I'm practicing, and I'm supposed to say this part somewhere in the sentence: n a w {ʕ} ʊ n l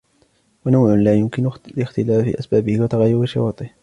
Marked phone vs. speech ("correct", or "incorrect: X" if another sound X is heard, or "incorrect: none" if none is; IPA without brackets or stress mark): correct